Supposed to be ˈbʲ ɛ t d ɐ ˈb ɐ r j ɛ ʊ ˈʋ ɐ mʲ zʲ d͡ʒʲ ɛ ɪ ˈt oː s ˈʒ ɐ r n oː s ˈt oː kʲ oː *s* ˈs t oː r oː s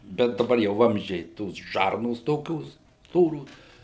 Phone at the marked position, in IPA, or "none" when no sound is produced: s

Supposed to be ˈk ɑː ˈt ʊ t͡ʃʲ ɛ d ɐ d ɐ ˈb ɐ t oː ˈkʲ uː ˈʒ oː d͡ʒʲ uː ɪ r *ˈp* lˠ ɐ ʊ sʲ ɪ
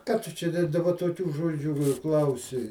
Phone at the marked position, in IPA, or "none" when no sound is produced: k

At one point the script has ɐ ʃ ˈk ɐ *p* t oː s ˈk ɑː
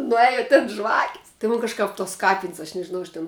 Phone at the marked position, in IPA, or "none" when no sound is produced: p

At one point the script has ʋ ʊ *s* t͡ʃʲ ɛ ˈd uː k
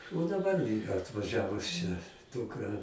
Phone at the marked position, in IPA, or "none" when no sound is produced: s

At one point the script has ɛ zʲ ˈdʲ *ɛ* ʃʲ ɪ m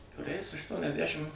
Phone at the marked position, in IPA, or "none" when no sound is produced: æ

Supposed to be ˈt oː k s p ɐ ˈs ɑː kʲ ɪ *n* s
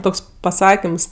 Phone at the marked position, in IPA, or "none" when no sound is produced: m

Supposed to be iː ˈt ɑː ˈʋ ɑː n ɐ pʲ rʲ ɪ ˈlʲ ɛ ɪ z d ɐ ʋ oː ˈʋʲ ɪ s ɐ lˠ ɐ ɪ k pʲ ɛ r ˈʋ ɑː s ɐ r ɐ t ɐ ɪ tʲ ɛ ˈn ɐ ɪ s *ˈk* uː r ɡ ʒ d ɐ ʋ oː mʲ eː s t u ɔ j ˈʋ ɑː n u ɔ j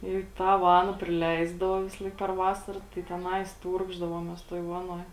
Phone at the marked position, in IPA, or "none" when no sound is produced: t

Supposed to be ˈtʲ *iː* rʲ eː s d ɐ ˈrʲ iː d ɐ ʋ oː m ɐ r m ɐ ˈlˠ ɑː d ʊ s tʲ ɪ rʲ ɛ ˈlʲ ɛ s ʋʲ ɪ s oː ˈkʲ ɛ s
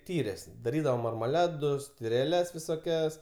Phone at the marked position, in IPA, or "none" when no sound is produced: iː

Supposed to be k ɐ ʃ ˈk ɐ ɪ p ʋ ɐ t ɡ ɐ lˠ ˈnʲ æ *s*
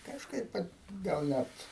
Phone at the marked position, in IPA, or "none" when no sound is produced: t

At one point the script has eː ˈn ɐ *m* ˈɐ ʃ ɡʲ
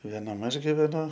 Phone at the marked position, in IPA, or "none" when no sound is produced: m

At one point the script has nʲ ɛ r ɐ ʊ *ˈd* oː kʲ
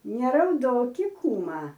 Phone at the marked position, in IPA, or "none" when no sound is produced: d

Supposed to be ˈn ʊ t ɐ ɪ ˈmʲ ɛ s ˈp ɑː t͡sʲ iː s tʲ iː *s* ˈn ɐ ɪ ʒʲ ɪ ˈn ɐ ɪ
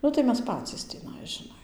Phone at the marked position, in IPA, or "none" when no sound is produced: none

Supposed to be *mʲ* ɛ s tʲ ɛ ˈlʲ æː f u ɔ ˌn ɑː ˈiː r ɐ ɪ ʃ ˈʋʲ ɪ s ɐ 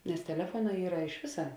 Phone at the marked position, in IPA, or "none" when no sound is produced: nʲ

